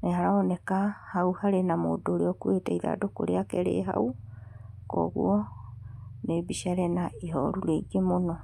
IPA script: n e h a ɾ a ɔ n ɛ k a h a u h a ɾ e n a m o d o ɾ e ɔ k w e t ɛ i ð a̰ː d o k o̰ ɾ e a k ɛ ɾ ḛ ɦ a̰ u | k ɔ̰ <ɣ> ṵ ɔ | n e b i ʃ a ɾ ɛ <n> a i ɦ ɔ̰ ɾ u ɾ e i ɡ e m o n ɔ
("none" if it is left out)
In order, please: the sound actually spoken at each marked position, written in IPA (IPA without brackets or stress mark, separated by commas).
ɣ, n